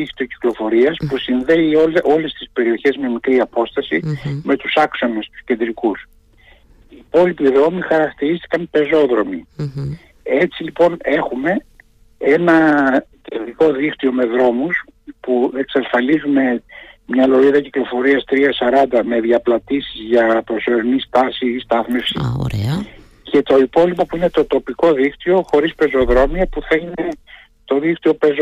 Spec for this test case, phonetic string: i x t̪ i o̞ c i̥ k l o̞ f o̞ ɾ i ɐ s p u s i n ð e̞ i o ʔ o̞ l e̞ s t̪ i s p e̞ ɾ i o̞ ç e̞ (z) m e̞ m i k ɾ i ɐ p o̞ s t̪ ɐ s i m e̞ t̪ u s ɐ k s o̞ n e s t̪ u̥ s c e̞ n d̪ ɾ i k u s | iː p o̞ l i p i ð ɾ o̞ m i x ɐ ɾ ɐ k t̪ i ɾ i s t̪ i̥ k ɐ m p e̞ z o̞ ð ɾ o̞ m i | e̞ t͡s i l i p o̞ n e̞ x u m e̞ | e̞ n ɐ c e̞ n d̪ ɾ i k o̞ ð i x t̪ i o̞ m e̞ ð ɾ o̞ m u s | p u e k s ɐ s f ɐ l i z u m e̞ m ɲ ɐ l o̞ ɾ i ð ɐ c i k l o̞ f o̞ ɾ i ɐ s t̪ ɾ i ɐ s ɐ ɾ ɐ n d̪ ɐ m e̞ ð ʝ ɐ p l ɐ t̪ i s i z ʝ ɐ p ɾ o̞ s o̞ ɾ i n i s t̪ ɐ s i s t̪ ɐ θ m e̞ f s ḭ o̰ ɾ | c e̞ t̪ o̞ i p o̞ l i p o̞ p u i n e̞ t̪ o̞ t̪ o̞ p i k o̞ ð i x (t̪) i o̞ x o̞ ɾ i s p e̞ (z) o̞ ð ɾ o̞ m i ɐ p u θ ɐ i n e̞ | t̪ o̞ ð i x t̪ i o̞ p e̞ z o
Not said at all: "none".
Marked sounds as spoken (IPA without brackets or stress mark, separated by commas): z, t̪, z